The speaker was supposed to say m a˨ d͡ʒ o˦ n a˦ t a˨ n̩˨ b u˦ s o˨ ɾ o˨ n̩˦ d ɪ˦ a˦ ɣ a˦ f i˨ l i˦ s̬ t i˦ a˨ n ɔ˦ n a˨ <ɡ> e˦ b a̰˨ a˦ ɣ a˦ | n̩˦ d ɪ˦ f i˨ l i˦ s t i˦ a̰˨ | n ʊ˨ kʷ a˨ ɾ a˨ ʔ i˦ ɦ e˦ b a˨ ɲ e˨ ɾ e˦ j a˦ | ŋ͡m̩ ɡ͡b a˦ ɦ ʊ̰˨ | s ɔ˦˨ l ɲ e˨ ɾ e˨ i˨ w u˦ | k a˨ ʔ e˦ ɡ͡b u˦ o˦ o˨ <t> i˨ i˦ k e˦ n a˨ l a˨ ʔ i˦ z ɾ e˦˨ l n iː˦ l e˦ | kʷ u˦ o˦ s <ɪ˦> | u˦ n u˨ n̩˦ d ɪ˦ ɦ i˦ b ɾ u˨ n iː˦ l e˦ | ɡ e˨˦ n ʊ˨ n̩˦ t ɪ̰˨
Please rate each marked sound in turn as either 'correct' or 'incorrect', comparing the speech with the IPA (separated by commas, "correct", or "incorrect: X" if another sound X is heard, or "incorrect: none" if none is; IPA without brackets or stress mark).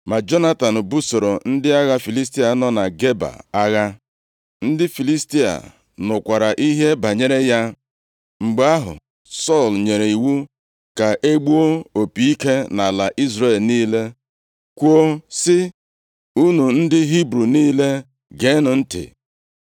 correct, incorrect: p, correct